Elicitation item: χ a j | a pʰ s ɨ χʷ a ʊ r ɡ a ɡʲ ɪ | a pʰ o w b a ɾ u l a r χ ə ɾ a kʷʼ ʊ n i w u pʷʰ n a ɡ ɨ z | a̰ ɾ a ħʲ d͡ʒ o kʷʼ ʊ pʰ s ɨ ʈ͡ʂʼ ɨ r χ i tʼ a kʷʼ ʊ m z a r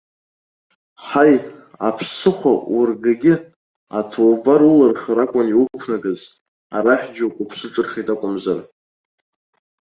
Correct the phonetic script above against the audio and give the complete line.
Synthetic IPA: χ a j | a pʰ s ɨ χʷ a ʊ r ɡ a ɡʲ ɪ | a tʰ o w b a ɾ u l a r χ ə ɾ a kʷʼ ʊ n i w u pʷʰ n a ɡ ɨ z | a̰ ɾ a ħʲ d͡ʒ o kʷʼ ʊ pʰ s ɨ ʈ͡ʂʼ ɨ r χ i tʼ a kʷʼ ʊ m z a r